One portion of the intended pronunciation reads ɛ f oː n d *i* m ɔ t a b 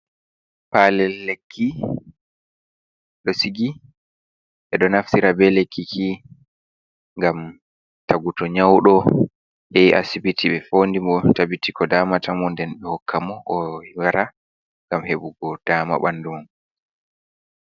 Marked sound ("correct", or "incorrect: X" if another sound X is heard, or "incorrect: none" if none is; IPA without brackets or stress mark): correct